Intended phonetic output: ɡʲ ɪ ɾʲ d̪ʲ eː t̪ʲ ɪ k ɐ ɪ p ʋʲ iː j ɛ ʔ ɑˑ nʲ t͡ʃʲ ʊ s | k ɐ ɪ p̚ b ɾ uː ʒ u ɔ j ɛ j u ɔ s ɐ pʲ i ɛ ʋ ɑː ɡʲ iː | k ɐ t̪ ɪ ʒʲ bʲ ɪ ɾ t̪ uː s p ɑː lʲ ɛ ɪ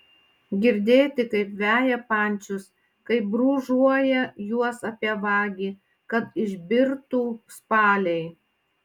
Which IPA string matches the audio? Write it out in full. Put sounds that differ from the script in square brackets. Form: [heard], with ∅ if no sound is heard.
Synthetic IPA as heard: ɡʲ ɪ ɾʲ d̪ʲ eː t̪ʲ ɪ k ɐ ɪ p ʋʲ [æː] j ɛ [p] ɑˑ nʲ t͡ʃʲ ʊ s | k ɐ ɪ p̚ b ɾ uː ʒ u ɔ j ɛ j u ɔ s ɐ pʲ i ɛ ʋ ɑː ɡʲ iː | k ɐ t̪ ɪ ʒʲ bʲ ɪ ɾ t̪ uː s p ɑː lʲ ɛ ɪ